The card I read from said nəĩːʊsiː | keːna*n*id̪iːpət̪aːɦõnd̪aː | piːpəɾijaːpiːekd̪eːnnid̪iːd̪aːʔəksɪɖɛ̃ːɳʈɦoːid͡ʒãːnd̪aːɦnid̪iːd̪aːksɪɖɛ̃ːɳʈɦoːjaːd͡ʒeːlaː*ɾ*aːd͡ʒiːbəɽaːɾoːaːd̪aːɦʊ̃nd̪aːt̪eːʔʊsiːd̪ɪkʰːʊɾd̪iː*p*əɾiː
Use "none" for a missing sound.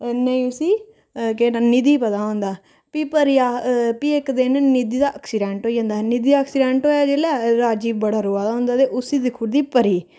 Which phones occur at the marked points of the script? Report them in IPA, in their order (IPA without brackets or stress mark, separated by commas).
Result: n, ɾ, p